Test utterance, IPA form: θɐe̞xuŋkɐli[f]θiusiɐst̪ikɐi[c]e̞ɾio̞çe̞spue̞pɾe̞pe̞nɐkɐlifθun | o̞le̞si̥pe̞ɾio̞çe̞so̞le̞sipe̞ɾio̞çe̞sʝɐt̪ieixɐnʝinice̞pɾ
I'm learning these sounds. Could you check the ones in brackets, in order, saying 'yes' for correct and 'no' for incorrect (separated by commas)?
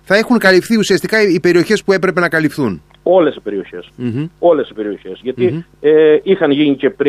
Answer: yes, no